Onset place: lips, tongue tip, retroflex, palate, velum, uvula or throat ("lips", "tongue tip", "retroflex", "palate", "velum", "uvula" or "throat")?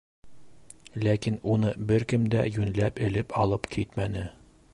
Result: tongue tip